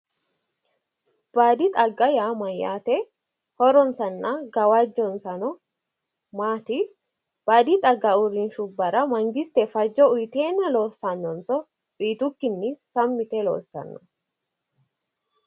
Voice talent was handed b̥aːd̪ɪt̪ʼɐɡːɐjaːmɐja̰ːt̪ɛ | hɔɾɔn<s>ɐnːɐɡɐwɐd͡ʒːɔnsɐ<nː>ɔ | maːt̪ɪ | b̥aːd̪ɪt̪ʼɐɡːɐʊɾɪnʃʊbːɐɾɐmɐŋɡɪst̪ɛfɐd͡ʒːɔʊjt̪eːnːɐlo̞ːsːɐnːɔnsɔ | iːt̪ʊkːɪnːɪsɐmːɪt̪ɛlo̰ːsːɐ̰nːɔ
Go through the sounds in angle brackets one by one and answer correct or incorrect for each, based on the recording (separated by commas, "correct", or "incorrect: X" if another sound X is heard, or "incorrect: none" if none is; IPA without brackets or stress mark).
correct, incorrect: n